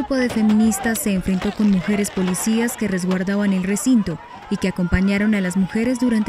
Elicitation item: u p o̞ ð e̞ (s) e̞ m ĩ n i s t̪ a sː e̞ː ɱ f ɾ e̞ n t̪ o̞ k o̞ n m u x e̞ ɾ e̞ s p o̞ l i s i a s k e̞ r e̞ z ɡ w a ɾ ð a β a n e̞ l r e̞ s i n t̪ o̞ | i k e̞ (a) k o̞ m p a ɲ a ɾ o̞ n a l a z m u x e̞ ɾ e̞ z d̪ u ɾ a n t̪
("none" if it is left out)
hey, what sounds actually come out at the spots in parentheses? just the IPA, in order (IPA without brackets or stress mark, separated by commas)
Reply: f, a